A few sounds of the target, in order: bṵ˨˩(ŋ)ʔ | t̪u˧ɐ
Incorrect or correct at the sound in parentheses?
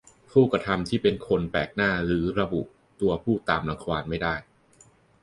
incorrect: none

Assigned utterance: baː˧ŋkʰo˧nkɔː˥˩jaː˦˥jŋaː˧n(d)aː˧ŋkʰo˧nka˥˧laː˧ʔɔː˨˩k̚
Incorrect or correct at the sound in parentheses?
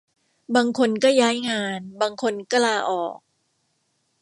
incorrect: b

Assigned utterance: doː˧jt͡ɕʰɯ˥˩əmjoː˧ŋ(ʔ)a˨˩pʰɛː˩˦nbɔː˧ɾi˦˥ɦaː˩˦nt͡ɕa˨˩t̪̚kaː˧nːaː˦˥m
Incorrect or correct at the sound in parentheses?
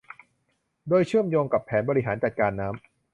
incorrect: k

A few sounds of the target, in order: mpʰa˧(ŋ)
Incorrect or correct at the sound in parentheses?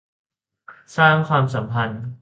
incorrect: n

